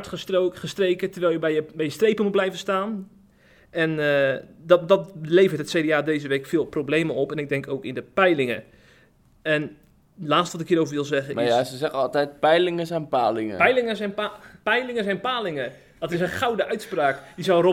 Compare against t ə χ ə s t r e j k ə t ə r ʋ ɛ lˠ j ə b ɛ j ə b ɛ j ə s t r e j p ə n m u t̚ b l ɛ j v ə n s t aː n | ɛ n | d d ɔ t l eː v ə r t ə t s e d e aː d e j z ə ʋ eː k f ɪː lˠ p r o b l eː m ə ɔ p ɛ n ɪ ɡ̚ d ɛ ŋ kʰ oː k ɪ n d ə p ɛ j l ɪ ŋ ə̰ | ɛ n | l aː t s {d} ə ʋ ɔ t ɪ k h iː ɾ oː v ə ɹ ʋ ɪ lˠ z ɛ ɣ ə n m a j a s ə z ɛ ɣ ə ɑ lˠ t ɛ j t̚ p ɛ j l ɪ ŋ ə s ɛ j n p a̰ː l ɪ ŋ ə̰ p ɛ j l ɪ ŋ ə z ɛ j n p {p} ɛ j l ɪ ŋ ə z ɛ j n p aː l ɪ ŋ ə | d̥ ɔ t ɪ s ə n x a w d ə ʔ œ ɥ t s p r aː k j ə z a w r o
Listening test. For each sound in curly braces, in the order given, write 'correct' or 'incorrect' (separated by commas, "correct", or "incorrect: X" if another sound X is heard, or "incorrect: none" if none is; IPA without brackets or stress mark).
incorrect: t, correct